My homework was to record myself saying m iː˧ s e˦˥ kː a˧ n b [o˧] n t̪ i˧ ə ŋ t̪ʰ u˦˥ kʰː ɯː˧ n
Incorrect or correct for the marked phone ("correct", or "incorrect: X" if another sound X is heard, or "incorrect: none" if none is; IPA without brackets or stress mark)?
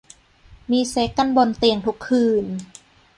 correct